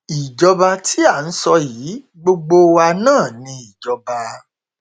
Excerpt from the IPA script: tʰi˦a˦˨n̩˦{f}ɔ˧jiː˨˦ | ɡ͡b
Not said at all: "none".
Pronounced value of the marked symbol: s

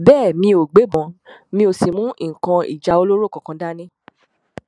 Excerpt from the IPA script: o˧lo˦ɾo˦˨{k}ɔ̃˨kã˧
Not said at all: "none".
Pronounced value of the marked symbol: k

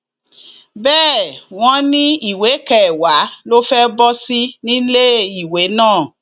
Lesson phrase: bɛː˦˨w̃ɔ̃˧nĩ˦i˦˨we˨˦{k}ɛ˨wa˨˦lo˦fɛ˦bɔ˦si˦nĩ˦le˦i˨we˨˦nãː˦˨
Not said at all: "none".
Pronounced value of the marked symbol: k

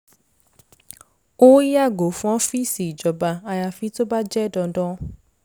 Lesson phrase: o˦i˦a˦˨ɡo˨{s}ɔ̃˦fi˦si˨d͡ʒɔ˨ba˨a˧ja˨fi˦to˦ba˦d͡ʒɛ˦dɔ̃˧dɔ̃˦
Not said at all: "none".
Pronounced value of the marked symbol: f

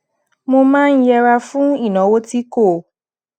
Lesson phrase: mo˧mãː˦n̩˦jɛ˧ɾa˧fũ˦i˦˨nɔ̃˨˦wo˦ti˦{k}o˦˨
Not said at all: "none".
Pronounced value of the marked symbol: k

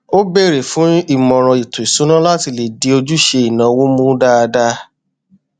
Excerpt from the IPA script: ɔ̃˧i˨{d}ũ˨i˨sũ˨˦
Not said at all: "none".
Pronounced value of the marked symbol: t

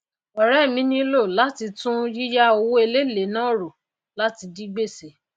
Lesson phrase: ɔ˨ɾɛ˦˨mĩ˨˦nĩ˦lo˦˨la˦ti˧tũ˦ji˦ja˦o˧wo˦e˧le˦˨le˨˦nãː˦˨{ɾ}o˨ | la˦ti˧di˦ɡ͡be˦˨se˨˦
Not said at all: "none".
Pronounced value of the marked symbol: ɾ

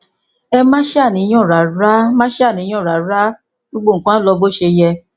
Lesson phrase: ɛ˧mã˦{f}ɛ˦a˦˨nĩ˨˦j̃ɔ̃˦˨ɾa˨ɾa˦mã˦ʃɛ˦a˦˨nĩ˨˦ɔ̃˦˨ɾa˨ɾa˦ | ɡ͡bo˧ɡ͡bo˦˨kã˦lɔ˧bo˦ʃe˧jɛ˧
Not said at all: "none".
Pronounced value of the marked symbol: ʃ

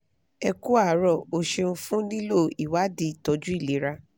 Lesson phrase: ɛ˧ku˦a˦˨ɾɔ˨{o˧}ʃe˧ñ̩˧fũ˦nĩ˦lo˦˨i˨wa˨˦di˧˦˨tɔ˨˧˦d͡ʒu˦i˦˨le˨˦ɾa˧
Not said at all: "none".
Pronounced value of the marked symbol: o˧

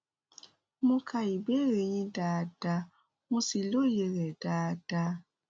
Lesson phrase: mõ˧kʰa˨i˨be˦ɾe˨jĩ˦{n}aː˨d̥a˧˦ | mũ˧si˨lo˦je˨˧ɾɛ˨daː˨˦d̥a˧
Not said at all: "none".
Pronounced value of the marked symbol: d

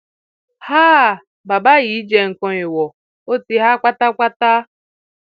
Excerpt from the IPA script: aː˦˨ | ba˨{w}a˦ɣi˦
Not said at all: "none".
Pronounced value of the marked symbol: b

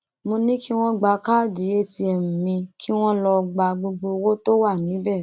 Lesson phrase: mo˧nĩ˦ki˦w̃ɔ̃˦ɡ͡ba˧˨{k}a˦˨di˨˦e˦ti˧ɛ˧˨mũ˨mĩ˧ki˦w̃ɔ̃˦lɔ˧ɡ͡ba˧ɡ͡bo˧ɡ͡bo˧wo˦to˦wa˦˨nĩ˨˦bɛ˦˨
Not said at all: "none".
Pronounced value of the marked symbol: k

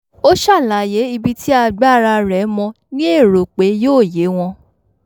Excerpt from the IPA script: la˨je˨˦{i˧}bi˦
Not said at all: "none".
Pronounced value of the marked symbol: i˧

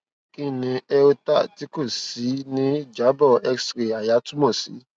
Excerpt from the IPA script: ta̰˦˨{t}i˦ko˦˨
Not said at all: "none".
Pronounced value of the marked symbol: t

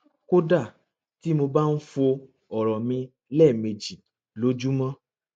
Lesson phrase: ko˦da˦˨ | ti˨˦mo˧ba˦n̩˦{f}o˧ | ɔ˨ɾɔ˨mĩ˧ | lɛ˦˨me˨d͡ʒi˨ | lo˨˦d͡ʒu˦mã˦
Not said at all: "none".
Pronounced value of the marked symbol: f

